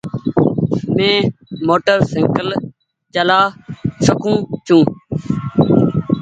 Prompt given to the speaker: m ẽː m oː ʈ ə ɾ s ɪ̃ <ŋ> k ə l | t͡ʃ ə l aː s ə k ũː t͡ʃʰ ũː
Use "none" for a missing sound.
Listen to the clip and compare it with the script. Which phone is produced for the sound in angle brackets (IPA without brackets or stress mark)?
ŋ